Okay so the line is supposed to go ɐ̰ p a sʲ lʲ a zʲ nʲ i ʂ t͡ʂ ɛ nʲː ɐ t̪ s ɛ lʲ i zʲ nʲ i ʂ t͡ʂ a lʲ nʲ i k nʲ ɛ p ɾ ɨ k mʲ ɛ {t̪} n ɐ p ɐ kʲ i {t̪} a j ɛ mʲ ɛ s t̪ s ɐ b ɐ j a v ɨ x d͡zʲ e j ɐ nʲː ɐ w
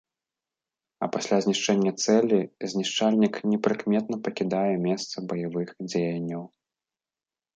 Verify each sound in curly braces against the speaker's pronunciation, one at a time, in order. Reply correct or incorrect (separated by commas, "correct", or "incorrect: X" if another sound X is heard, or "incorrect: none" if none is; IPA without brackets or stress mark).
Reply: correct, incorrect: d̪